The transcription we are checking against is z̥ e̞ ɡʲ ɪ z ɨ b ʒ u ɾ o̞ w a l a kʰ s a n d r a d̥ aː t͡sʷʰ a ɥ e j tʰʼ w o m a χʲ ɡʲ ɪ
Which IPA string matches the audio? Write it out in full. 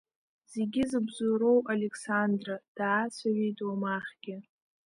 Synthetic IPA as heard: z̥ e̞ ɡʲ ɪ z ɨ b z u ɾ o̞ w a l e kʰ s a n d r a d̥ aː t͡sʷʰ a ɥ e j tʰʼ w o m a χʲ ɡʲ ɪ